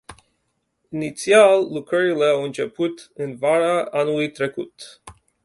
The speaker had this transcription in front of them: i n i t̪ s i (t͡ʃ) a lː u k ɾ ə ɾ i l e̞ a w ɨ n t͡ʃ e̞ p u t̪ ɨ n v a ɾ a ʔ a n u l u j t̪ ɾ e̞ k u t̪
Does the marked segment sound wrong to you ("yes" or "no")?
yes